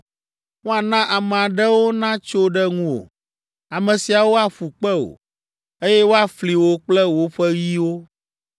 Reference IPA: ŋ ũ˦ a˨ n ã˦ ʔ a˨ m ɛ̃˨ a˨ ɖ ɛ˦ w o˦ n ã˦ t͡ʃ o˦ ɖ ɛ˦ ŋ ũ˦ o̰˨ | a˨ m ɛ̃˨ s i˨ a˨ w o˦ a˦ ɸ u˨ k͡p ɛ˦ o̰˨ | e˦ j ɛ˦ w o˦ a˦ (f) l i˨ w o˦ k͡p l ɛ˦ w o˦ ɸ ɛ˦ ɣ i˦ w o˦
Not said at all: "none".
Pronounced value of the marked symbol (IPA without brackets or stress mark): f